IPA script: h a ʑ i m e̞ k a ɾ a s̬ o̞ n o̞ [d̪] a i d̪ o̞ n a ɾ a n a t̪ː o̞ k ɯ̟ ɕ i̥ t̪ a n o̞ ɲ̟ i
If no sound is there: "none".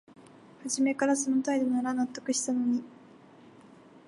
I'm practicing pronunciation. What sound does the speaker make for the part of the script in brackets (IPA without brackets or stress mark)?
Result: t̪